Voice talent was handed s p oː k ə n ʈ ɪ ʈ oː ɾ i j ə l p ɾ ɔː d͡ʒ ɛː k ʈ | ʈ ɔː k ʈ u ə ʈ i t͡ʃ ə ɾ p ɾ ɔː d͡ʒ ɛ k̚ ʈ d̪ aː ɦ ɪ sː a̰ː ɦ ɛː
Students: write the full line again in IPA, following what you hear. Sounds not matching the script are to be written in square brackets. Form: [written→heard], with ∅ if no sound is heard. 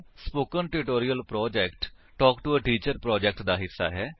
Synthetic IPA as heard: s p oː k ə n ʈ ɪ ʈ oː ɾ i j ə l p ɾ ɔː d͡ʒ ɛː k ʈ | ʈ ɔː k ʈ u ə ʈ [i→iː] t͡ʃ ə ɾ p ɾ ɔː d͡ʒ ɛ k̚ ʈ d̪ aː ɦ ɪ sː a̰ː ɦ ɛː